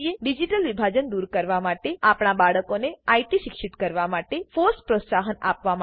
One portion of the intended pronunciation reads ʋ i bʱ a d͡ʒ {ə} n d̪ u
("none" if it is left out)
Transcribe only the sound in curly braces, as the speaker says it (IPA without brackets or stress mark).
ə